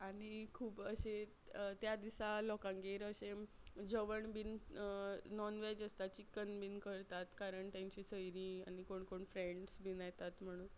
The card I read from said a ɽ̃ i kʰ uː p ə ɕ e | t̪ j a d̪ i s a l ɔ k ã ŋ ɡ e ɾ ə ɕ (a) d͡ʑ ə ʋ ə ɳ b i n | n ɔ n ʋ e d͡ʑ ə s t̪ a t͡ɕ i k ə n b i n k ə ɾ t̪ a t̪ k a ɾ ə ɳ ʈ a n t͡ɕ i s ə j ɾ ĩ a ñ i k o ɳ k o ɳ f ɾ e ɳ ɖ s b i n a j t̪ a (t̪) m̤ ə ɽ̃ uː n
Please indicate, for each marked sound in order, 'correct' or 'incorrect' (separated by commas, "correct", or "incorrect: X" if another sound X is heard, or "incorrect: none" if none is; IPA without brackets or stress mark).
incorrect: e, correct